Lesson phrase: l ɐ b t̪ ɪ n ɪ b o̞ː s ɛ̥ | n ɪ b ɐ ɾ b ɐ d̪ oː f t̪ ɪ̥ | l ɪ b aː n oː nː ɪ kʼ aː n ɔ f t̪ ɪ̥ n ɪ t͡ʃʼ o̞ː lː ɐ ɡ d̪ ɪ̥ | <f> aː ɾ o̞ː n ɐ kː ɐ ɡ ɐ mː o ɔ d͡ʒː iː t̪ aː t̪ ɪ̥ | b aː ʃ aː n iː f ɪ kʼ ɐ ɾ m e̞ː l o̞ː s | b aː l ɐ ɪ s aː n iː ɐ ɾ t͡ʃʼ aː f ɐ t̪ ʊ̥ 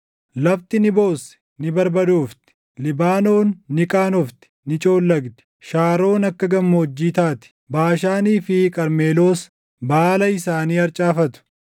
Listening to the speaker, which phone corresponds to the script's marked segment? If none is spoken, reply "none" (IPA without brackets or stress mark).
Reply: ʃ